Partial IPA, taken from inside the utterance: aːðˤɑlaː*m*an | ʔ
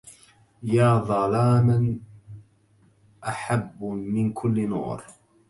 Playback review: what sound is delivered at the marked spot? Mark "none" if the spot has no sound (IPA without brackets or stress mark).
m